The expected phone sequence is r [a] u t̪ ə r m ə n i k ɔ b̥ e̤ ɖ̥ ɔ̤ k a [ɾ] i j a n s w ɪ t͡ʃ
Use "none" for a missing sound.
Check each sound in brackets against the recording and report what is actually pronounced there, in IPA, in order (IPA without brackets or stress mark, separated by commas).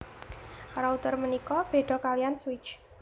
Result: a, l